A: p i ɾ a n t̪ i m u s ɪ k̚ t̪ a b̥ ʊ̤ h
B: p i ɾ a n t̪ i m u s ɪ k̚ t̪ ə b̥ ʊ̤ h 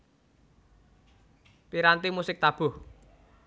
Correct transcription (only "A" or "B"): A